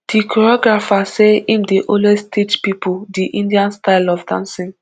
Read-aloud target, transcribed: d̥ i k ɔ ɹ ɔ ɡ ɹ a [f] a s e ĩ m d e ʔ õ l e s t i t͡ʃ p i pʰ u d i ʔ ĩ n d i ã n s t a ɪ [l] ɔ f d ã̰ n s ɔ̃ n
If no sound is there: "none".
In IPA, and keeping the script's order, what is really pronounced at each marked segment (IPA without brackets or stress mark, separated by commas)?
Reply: f, l